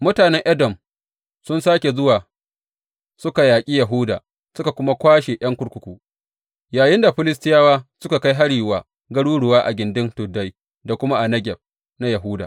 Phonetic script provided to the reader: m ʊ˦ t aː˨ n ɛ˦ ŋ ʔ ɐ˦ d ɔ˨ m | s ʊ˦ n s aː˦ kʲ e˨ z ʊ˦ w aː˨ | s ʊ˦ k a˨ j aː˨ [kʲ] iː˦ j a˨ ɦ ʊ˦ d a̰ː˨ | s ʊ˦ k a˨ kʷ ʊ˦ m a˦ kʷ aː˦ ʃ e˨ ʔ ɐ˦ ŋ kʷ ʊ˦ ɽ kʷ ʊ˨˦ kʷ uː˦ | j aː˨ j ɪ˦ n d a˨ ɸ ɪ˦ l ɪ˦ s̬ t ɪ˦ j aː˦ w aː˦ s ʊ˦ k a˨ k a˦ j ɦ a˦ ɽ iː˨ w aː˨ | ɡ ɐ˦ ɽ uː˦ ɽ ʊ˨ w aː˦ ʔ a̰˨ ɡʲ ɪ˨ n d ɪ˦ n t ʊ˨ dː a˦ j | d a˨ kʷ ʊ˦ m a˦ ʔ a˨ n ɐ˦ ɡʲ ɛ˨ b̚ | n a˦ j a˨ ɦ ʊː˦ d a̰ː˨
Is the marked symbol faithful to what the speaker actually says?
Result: no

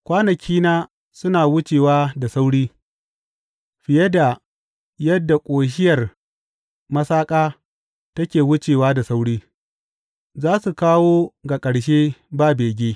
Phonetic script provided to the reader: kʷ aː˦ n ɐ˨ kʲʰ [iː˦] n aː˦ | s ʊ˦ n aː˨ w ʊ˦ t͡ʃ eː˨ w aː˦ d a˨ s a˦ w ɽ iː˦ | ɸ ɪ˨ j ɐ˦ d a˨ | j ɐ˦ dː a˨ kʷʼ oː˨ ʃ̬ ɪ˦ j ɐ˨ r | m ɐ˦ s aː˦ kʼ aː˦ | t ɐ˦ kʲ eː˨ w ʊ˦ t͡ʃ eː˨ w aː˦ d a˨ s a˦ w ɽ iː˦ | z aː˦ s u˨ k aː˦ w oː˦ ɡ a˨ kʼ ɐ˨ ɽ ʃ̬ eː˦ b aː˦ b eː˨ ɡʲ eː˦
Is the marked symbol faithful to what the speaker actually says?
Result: yes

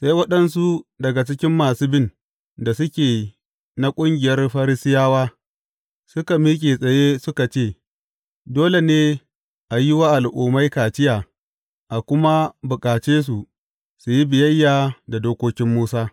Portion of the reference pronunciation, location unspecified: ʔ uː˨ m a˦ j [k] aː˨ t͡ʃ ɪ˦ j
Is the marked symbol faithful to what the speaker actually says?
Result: yes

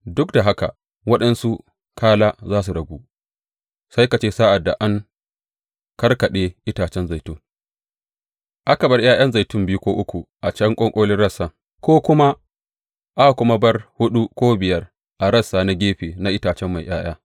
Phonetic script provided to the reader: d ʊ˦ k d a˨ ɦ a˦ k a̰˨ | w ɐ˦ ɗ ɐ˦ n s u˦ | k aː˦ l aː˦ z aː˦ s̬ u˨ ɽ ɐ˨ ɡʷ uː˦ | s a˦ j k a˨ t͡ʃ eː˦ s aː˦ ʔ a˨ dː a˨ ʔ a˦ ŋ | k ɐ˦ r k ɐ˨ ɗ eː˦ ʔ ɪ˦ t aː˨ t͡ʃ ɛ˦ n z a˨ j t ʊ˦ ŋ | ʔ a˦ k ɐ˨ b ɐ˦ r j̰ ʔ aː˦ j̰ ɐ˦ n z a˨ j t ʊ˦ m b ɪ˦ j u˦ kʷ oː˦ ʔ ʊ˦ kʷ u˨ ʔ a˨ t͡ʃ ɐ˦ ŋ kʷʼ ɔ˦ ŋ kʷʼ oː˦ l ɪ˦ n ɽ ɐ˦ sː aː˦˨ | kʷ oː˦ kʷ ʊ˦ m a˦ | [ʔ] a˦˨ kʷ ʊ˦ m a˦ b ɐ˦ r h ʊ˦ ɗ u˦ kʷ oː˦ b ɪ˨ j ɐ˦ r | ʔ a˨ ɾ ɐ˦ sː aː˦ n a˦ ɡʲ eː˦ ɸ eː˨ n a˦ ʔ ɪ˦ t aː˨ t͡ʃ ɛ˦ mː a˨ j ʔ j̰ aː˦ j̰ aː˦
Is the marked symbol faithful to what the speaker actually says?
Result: yes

